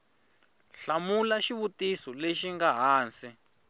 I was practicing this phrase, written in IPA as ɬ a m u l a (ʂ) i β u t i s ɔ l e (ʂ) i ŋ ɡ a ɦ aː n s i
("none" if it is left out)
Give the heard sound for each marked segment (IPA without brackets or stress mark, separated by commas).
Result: ʃ, ʃ